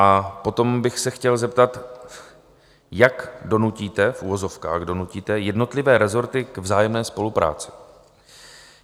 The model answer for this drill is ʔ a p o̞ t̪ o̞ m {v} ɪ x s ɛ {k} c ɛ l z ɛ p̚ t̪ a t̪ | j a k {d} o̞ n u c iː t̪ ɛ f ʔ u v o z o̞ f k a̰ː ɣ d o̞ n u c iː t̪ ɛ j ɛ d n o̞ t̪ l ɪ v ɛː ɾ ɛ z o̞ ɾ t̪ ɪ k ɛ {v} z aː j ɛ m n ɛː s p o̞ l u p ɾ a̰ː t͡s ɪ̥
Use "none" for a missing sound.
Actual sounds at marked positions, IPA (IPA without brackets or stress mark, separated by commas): b, x, d, v